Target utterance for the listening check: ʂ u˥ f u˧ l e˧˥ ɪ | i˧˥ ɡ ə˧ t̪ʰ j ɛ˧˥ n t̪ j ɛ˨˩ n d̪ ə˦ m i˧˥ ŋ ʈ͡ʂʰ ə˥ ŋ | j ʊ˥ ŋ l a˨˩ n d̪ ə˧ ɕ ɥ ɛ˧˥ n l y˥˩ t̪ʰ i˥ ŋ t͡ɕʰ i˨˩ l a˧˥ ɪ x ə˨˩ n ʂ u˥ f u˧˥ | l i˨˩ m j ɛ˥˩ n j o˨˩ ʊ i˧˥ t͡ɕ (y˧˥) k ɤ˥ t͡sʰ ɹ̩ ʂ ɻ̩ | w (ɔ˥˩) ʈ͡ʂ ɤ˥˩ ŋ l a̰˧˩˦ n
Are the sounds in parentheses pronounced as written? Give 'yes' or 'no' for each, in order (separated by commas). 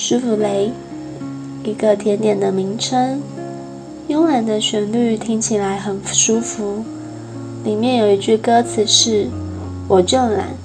no, no